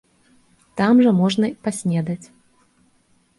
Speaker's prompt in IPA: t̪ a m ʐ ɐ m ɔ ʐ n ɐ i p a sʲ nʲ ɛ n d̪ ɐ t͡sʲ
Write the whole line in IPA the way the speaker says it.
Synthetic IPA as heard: t̪ a m ʐ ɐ m ɔ ʐ n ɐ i p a sʲ nʲ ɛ d̪ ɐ t͡sʲ